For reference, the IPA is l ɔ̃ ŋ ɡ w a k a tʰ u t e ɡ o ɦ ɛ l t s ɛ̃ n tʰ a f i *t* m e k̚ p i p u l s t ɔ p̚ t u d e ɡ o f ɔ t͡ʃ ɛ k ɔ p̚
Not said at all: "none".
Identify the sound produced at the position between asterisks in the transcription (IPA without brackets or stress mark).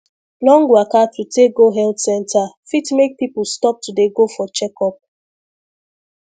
t